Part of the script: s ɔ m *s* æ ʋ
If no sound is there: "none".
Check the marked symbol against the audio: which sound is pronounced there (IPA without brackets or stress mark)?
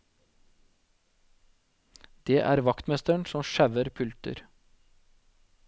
ʃ